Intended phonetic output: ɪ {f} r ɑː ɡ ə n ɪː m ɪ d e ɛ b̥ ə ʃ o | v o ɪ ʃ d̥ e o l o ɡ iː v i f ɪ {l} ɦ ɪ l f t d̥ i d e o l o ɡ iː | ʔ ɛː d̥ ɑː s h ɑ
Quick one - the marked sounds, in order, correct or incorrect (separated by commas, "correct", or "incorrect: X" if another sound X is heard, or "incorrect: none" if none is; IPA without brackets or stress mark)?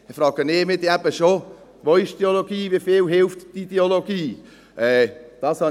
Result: correct, correct